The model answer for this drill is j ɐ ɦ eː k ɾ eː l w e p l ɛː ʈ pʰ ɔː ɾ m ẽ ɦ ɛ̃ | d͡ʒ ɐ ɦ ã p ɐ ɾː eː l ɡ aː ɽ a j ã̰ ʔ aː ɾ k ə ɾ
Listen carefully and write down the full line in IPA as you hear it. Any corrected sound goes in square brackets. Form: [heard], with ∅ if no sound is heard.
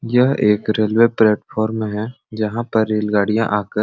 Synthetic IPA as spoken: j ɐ ɦ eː k ɾ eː l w e p l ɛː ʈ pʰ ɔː ɾ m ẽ ɦ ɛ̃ | d͡ʒ ɐ ɦ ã p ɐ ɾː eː l ɡ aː ɽ [i] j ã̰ ʔ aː [∅] k ə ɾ